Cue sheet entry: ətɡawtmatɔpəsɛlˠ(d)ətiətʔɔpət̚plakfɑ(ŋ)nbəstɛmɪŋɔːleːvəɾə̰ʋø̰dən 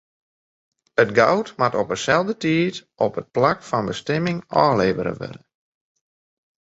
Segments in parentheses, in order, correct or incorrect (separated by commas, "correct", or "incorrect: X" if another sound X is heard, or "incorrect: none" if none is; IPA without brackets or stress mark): correct, incorrect: none